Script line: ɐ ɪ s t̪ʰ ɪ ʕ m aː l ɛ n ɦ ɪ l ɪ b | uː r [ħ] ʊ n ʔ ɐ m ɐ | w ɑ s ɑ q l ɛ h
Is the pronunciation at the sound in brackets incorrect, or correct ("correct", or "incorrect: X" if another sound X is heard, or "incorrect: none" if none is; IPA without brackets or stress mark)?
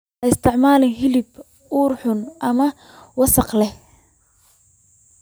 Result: correct